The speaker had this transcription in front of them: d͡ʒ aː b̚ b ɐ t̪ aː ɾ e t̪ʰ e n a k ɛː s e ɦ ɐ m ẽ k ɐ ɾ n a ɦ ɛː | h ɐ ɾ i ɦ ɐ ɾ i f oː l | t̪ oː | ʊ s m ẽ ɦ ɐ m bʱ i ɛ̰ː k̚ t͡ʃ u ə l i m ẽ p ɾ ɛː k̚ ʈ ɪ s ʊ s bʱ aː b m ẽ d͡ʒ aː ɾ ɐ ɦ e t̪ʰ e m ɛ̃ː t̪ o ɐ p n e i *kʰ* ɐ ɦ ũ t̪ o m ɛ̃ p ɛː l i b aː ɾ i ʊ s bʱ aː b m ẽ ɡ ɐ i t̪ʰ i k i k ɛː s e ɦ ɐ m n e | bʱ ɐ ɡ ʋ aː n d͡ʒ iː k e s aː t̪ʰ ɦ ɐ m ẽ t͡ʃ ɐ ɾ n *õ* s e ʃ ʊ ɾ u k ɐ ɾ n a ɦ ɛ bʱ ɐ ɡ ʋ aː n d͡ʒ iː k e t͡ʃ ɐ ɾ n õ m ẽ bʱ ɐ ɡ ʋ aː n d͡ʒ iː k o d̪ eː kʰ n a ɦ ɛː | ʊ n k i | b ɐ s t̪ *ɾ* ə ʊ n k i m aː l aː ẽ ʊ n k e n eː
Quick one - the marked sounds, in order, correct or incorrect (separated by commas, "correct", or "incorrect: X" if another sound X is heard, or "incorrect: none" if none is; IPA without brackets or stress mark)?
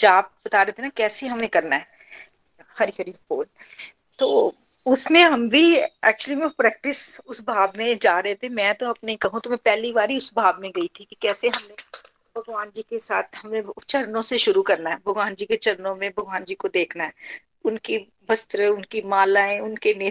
incorrect: k, correct, correct